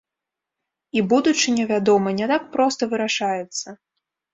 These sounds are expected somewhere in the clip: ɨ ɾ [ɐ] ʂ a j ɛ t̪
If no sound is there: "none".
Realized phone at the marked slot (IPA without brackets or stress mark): a